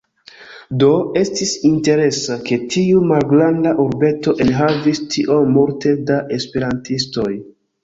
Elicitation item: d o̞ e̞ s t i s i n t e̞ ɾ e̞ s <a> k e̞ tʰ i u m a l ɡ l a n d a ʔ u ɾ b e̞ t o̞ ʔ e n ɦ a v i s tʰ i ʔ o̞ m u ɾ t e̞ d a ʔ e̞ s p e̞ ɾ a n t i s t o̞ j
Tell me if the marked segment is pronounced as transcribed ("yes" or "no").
yes